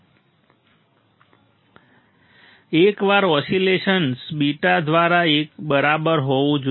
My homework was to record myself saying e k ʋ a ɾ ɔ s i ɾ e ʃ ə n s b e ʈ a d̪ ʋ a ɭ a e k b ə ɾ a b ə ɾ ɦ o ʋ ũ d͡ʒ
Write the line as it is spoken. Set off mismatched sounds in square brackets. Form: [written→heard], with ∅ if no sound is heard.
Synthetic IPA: e k ʋ a ɾ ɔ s i [ɾ→l] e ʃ ə n s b [e→i] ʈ a d̪ ʋ a [ɭ→ɾ] a e k b ə ɾ a b ə ɾ ɦ o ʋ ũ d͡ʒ

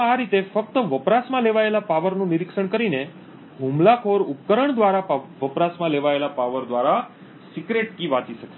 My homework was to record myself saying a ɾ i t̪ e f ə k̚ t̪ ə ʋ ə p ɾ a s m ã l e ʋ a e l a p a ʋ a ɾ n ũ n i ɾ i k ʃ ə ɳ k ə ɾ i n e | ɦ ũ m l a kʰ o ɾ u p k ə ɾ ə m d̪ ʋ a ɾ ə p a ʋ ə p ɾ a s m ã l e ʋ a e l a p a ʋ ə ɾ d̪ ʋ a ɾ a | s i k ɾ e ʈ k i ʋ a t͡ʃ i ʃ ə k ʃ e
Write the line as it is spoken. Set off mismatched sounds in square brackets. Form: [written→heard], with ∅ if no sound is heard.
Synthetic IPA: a ɾ i t̪ e f ə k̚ t̪ ə ʋ ə p ɾ a s m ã l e ʋ a e l a p a ʋ [a→ə] ɾ n ũ n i ɾ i k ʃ ə ɳ k ə ɾ i n e | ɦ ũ m l a kʰ o ɾ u p k ə ɾ ə [m→ɳ] d̪ ʋ a ɾ [ə→a] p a ʋ ə p ɾ a s m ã l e ʋ a e l a p a ʋ ə ɾ d̪ ʋ a ɾ a | s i k ɾ e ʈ k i ʋ a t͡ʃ i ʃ ə k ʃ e

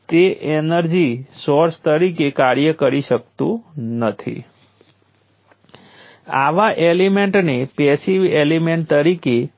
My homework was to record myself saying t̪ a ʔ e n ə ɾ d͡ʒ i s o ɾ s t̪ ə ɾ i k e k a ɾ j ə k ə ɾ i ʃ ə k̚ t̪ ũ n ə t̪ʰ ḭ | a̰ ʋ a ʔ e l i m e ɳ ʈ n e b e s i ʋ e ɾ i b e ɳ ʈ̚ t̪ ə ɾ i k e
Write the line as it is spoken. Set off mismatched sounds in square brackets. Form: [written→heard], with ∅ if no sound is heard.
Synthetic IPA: t̪ [a→e] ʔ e n ə ɾ d͡ʒ i s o ɾ s t̪ ə ɾ i k e k a ɾ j ə k ə ɾ i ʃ ə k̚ t̪ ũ n ə t̪ʰ ḭ | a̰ ʋ a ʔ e l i m e ɳ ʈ n e [b→p] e s i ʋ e [ɾ→l] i [b→m] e ɳ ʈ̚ t̪ ə ɾ i k e

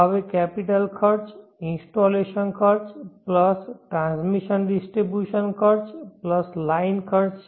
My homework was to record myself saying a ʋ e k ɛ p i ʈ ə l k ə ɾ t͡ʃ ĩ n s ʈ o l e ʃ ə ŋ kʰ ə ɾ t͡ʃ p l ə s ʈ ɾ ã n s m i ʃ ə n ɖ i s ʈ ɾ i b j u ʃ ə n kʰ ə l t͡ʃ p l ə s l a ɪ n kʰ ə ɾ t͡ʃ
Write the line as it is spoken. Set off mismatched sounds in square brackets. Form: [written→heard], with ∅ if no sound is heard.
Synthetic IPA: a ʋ e k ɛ p i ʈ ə l [k→kʰ] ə ɾ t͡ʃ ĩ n s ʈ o l e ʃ ə [ŋ→n] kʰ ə ɾ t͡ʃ p l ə s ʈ ɾ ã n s m i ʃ ə n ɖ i s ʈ ɾ i b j u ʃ ə n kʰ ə [l→ɾ] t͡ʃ p l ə s l a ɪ n kʰ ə ɾ t͡ʃ

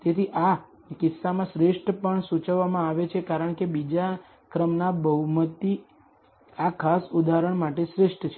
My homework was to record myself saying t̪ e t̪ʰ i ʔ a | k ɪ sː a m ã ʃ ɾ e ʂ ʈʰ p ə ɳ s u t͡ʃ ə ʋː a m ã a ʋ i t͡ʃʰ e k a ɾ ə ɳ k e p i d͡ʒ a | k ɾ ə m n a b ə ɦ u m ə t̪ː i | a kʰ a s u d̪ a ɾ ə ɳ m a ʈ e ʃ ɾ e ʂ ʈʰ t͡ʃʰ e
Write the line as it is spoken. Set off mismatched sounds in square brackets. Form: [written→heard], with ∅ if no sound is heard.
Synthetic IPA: t̪ e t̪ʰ i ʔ a | k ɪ sː a m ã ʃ ɾ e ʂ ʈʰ p ə ɳ s u t͡ʃ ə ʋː a m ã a ʋ [i→e] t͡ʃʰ e k a ɾ ə ɳ k e [p→b] i d͡ʒ a | k ɾ ə m n a b ə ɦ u m ə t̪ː i | a kʰ a s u d̪ a ɾ ə ɳ m a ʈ e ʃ ɾ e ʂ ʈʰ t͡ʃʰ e

